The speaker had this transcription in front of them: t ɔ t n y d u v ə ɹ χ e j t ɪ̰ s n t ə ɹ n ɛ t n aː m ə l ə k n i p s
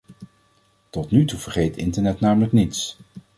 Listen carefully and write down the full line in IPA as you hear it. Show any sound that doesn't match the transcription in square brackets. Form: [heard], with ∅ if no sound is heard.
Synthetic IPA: t ɔ t n y [t] u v ə ɹ χ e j t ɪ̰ [∅] n t ə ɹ n ɛ t n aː m ə l ə k n i [t] s